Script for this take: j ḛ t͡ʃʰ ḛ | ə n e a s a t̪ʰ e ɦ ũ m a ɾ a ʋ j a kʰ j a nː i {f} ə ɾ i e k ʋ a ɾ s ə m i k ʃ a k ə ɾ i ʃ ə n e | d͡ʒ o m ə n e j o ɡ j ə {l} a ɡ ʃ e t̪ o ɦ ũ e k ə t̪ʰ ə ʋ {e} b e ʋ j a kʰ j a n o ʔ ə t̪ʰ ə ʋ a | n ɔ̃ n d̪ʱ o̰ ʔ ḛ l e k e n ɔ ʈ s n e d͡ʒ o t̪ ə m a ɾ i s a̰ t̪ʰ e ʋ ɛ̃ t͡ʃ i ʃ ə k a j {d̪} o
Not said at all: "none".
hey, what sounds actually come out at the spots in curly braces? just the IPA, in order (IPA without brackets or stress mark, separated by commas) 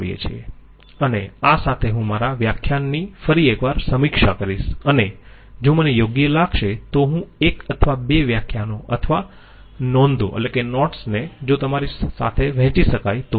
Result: f, l, a, t̪